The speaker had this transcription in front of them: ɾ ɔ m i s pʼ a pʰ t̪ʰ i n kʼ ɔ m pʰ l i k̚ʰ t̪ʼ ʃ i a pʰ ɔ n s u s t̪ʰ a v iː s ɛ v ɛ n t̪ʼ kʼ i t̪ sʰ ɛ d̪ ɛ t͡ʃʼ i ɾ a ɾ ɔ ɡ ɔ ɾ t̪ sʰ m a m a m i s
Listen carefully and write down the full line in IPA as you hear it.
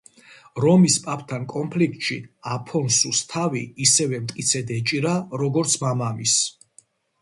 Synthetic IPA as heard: ɾ ɔ m i s pʼ a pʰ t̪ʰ a n kʼ ɔ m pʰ l i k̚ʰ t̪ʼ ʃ i a pʰ ɔ n s u s t̪ʰ a v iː s ɛ v ɛ m t̪ʼ kʼ i t̪ sʰ ɛ d̪ ɛ t͡ʃʼ i ɾ a ɾ ɔ ɡ ɔ ɾ t̪ sʰ m a m a m i s